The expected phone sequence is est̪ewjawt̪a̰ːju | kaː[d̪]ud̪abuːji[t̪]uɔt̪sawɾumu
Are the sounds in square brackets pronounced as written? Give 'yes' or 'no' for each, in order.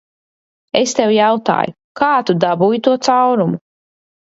no, yes

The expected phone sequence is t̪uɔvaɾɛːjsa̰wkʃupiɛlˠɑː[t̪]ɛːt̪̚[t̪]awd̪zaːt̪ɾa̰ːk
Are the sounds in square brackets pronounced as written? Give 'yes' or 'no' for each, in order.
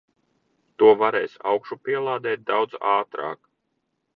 no, no

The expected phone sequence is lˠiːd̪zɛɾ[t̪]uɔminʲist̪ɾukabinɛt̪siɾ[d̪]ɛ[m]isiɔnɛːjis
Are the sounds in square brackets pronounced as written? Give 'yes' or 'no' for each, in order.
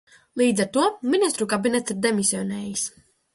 yes, yes, yes

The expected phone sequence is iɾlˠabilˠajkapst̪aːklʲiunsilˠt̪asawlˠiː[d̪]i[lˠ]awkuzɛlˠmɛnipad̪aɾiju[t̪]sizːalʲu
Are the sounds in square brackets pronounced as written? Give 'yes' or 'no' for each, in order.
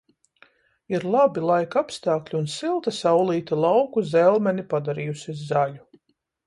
no, yes, no

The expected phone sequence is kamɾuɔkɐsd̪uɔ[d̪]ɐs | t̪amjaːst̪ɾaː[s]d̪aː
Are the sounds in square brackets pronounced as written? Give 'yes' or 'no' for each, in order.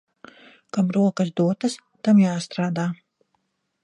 no, no

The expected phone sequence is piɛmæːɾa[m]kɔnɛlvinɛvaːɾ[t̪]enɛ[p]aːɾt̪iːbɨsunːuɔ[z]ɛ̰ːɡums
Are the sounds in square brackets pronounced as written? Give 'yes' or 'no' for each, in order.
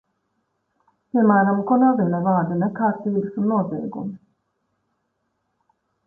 yes, no, no, yes

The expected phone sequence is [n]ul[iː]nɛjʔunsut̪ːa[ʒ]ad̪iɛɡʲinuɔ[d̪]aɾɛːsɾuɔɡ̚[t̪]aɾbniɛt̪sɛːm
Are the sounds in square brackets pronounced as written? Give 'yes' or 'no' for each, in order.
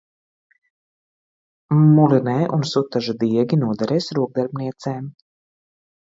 no, no, yes, yes, no

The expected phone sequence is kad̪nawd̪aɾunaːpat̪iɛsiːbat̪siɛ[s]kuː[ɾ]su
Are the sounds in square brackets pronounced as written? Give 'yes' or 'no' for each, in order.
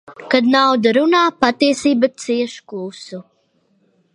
no, no

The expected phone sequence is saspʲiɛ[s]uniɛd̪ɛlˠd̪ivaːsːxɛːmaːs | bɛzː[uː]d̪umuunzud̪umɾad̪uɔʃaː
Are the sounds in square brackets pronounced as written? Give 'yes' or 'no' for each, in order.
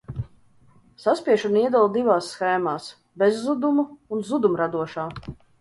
no, no

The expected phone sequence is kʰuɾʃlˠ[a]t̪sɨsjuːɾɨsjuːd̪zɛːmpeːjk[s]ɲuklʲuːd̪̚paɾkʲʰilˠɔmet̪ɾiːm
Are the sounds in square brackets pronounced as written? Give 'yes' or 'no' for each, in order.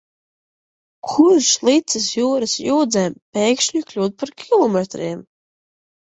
no, no

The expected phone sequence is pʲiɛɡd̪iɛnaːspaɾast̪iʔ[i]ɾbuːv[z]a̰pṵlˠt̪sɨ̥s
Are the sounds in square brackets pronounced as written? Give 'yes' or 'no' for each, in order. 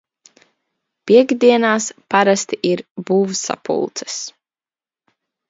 yes, no

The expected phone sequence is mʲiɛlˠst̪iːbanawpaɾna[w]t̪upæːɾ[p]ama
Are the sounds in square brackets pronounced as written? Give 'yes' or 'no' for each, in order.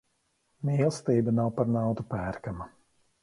yes, no

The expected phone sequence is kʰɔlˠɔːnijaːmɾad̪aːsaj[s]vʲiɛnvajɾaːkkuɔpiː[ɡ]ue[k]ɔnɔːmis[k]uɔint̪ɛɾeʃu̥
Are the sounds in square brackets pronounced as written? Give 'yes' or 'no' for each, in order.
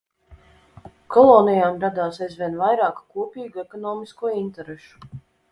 no, yes, yes, yes

